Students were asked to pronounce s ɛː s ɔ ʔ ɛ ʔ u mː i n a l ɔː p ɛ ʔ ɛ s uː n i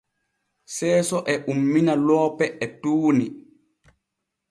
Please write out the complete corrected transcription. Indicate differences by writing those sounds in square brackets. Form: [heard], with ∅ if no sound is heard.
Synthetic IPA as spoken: s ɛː s ɔ ʔ ɛ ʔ u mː i n a l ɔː p ɛ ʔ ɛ [t] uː n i